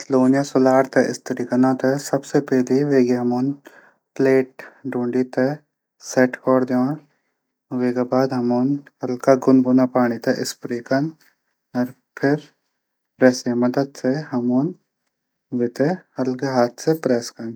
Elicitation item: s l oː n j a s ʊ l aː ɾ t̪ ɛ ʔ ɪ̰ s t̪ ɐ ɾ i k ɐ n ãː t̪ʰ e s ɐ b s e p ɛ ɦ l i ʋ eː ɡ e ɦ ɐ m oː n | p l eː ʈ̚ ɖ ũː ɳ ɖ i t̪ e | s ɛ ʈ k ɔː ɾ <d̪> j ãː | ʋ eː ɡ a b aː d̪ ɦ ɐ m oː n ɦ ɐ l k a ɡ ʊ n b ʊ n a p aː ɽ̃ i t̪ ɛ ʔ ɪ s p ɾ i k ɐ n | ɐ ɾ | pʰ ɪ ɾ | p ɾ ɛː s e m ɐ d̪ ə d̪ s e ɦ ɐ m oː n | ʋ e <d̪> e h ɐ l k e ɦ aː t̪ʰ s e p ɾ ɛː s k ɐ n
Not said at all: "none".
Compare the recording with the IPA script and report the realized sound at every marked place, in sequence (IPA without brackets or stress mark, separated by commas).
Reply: d̪, t̪